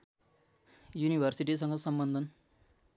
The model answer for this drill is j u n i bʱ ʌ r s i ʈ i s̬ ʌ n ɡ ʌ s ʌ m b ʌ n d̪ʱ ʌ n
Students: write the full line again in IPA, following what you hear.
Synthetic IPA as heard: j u n i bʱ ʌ r s i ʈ i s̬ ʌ ŋ ɡ ʌ s ʌ m b ʌ n d̪ʱ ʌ n